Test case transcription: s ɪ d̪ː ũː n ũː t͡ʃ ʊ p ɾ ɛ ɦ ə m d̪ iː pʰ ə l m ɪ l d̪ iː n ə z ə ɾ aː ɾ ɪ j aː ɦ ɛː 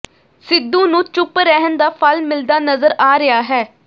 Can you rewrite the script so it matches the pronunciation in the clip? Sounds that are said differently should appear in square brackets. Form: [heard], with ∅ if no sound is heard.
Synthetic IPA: s ɪ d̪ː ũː n ũː t͡ʃ ʊ p ɾ ɛ ɦ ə [n] d̪ [aː] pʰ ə l m ɪ l d̪ [aː] n ə z ə ɾ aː ɾ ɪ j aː ɦ ɛː